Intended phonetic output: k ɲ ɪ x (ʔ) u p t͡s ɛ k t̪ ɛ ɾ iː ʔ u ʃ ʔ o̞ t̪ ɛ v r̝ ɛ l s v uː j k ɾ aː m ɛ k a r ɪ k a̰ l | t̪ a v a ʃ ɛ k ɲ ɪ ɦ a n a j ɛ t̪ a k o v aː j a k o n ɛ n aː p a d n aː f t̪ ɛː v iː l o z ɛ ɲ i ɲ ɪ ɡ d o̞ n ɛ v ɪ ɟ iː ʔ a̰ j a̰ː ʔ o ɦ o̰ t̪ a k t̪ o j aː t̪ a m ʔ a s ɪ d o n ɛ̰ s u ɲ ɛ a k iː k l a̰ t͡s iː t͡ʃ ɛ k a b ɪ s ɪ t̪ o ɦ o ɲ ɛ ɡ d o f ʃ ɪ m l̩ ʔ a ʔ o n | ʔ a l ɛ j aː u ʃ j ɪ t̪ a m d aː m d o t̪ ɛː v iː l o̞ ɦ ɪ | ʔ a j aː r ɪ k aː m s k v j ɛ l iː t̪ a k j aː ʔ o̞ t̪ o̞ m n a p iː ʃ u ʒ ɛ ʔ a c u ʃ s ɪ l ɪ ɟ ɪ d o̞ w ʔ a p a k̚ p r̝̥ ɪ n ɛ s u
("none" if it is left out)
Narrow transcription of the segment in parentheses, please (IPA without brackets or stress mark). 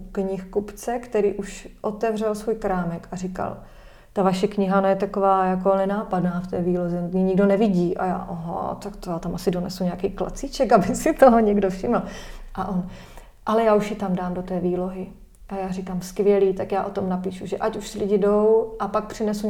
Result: k